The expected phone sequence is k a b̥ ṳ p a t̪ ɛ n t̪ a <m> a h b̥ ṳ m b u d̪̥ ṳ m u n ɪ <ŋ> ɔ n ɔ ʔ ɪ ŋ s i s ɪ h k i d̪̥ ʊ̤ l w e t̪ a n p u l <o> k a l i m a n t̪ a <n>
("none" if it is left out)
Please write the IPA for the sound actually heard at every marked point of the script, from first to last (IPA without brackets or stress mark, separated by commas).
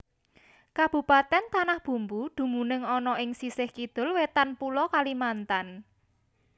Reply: n, ŋ, ɔ, n